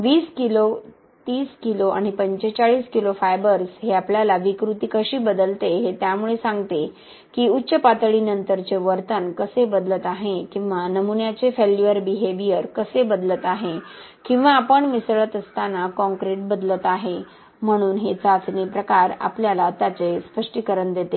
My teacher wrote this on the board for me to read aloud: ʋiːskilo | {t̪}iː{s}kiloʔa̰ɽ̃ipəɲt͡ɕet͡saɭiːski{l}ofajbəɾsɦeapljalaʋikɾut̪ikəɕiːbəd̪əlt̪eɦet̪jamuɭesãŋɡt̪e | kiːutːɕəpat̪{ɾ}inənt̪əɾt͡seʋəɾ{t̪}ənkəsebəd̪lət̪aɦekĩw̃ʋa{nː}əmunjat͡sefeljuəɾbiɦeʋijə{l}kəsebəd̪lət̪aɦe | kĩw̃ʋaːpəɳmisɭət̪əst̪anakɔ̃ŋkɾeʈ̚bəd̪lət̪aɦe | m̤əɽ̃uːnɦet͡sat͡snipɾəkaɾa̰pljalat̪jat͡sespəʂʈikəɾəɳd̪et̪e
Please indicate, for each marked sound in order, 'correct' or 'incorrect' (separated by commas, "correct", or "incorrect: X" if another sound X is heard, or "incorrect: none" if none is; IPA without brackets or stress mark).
correct, correct, correct, incorrect: ɭ, correct, incorrect: n, incorrect: ɾ